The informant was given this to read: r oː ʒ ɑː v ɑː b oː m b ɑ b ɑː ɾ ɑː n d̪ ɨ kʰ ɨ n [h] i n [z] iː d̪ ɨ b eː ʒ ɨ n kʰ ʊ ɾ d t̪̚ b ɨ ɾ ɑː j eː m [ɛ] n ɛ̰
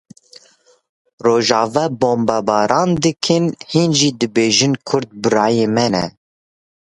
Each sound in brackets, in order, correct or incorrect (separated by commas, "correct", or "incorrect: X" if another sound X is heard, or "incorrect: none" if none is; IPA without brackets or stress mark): correct, incorrect: ʒ, correct